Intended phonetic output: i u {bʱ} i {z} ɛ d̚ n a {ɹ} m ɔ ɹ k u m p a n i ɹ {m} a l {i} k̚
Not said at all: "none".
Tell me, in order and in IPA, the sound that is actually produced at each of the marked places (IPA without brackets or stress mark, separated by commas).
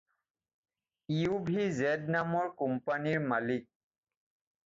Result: bʱ, z, none, m, i